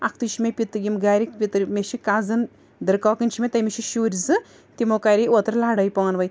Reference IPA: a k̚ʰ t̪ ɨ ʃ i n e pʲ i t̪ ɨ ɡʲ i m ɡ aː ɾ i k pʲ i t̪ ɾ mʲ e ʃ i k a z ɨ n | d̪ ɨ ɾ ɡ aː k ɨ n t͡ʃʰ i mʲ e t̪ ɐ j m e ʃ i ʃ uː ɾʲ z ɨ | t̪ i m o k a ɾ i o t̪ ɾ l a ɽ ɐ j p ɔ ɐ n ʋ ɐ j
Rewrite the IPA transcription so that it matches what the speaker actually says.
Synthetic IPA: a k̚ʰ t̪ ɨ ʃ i m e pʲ i t̪ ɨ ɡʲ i m ɡ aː ɾ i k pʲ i t̪ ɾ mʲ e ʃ i k a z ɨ n | d̪ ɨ ɾ k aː k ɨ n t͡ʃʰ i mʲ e t̪ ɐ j m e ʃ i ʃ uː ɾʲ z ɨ | t̪ i m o k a ɾ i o t̪ ɾ l a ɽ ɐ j p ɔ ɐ n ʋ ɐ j